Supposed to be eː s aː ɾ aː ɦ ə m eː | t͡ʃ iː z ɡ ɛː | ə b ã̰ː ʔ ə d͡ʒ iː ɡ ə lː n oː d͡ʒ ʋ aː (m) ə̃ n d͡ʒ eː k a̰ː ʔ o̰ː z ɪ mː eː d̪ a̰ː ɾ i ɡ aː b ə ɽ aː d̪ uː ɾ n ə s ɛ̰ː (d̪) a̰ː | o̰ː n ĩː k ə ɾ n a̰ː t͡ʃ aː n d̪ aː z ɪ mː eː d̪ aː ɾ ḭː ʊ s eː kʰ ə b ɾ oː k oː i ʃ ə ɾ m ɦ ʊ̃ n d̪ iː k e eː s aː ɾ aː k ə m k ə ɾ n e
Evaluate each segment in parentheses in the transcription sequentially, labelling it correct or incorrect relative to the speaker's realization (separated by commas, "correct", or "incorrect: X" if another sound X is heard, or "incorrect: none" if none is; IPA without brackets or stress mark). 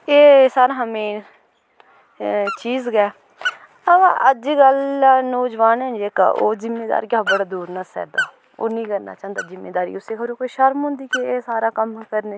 incorrect: n, correct